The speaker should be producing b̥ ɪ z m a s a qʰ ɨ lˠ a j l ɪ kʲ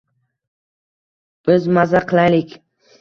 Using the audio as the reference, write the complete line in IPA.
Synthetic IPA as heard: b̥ ɪ z m a z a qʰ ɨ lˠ a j l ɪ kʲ